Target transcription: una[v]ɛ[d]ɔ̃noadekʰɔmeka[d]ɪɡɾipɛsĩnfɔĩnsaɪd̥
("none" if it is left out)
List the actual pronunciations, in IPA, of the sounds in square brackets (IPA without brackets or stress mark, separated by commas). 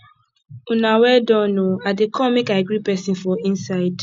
w, d, none